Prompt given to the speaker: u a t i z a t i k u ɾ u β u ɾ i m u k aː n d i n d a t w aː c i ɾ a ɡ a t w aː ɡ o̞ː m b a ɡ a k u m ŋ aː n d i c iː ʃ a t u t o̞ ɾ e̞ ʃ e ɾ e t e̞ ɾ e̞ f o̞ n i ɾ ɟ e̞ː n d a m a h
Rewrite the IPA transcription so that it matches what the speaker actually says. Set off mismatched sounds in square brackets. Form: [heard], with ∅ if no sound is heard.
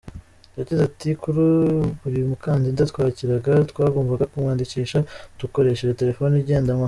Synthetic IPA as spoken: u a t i z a t i k u ɾ u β u ɾ i m u k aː n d i n d a t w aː c i ɾ a ɡ a t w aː ɡ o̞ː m [v] a ɡ a k u m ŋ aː n d i c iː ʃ a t u [k] o̞ ɾ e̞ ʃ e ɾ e t e̞ ɾ e̞ f o̞ n i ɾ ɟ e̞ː n d a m a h